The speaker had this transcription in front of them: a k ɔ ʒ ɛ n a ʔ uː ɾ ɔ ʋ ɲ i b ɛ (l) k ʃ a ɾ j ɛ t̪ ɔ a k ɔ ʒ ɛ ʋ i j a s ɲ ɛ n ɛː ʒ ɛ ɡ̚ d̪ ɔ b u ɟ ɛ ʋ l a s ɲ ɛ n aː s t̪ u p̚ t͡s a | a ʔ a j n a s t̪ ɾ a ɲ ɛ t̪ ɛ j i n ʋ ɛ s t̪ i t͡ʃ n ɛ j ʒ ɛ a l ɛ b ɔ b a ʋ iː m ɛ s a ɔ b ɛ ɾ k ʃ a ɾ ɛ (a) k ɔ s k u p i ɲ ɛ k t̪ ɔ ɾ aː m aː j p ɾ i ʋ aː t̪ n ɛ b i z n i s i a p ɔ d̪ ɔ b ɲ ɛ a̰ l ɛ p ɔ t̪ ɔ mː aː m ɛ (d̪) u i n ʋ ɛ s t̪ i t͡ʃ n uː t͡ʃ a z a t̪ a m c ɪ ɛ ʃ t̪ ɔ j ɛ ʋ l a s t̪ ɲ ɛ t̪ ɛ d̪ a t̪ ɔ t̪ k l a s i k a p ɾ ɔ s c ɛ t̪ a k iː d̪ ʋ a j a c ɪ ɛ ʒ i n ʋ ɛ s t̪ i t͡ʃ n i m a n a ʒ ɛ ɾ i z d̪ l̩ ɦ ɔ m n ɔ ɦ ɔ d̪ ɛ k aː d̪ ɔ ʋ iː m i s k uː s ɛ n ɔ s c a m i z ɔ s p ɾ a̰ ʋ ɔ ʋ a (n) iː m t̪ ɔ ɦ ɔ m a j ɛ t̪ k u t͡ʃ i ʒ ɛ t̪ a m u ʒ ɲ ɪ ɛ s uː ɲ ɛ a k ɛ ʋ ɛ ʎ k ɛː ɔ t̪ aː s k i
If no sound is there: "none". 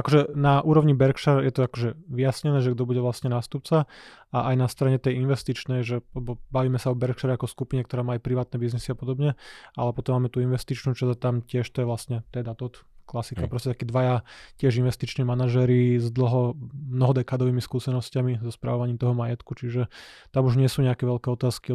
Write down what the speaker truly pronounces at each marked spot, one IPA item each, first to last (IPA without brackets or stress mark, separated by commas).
ɾ, a, t̪, ɲ